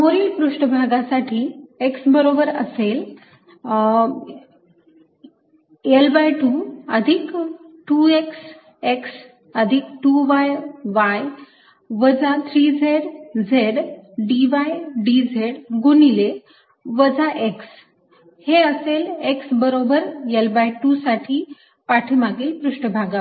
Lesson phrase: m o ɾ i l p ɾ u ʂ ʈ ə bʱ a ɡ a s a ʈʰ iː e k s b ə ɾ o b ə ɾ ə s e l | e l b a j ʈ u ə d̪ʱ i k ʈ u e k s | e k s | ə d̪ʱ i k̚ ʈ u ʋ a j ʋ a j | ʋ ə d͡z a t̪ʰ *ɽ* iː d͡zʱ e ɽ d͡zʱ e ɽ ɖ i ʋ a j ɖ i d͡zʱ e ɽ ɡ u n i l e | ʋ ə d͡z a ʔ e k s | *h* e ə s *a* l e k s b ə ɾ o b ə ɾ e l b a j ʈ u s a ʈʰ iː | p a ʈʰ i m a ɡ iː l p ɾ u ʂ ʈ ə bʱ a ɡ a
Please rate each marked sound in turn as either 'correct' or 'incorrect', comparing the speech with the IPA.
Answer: incorrect, correct, incorrect

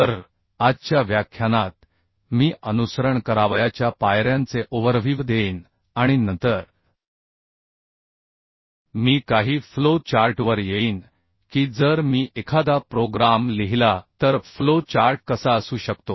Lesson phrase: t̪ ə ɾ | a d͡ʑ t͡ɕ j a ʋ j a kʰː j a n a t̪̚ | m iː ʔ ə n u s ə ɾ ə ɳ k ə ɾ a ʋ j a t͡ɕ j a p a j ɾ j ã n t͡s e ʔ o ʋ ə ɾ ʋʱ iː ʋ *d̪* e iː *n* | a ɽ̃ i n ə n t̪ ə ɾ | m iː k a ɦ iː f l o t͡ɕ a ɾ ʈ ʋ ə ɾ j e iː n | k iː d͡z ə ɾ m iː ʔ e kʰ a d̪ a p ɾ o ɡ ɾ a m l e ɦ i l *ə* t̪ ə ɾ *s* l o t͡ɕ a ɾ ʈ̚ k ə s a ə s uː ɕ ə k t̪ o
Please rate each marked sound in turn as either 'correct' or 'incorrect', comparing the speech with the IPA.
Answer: correct, correct, incorrect, incorrect

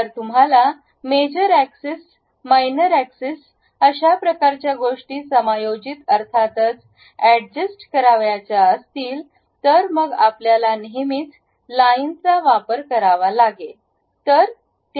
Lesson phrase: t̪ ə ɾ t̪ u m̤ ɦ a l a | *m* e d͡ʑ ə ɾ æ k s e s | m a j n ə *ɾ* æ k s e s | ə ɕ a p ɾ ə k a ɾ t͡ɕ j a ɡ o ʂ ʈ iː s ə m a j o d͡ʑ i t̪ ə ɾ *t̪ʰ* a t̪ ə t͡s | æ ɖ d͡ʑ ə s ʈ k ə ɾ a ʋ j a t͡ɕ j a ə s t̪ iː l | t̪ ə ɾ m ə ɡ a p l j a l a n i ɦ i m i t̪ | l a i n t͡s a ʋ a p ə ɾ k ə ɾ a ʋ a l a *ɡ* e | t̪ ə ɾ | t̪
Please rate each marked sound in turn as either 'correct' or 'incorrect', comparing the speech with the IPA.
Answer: correct, correct, correct, correct

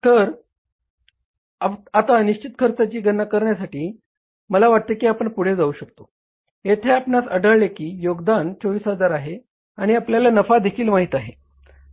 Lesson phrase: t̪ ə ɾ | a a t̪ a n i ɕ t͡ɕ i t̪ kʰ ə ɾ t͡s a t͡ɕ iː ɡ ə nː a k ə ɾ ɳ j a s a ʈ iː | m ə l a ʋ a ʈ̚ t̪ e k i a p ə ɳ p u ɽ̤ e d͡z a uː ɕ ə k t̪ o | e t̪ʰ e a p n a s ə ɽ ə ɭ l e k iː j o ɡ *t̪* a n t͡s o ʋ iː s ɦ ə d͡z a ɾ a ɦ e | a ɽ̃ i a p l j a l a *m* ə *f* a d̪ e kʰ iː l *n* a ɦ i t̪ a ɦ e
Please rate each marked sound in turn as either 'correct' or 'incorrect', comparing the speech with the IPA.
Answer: incorrect, incorrect, correct, incorrect

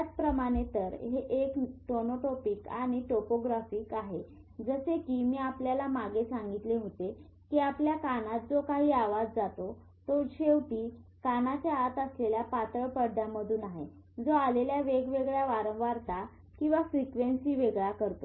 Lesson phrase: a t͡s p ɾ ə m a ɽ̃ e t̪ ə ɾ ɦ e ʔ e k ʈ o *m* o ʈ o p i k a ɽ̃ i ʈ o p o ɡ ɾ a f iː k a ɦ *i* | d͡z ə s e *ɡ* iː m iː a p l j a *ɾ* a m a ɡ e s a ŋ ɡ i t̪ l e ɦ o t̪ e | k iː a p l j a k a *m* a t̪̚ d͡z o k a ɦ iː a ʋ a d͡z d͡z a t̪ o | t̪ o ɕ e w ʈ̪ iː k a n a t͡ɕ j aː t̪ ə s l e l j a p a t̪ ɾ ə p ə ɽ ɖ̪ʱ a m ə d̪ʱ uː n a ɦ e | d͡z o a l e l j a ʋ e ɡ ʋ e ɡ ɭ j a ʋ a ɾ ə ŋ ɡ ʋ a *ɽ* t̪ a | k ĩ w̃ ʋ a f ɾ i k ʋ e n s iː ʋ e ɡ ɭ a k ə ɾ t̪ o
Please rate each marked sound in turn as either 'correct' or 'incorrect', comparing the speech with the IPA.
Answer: incorrect, incorrect, incorrect, incorrect, incorrect, incorrect

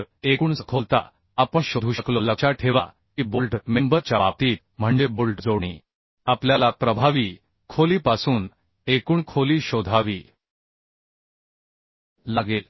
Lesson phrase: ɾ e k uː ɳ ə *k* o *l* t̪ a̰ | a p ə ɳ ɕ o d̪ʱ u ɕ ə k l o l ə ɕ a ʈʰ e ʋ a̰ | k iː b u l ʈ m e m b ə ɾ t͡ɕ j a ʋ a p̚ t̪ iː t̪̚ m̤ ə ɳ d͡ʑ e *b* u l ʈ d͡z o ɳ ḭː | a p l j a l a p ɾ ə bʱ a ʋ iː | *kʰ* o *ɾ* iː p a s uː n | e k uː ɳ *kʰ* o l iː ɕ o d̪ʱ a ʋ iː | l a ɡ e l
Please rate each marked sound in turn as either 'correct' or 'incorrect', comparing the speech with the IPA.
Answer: incorrect, correct, correct, correct, incorrect, correct

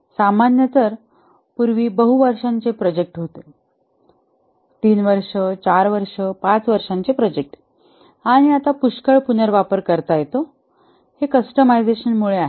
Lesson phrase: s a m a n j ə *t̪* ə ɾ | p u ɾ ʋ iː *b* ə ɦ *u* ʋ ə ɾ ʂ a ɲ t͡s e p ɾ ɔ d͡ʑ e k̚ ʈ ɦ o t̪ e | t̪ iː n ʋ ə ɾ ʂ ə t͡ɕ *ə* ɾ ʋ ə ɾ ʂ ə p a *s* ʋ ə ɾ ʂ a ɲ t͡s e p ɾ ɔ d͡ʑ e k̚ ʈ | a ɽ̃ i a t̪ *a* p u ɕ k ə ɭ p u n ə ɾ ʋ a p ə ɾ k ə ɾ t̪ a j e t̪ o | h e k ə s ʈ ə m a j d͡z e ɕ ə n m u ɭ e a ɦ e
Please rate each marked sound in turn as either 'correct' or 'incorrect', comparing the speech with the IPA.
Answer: correct, correct, correct, incorrect, incorrect, correct

